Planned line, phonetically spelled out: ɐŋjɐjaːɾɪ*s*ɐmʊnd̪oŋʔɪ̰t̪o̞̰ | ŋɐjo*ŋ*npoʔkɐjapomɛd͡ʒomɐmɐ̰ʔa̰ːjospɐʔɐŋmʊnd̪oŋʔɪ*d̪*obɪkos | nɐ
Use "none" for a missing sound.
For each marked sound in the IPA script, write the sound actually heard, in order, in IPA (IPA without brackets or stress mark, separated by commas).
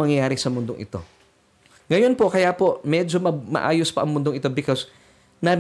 s, none, t̪